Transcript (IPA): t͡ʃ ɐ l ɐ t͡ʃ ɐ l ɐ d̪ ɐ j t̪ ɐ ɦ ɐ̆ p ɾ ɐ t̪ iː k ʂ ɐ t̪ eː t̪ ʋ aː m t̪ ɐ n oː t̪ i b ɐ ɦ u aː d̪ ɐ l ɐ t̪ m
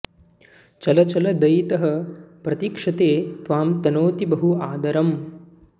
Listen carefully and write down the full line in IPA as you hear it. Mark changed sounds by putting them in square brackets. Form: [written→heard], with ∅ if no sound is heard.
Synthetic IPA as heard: t͡ʃ ɐ l ɐ t͡ʃ ɐ l ɐ d̪ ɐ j t̪ ɐ ɦ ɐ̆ p ɾ ɐ t̪ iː k ʂ ɐ t̪ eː t̪ ʋ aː m t̪ ɐ n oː t̪ i b ɐ ɦ u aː d̪ ɐ [l→ɾ] ɐ [t̪→∅] m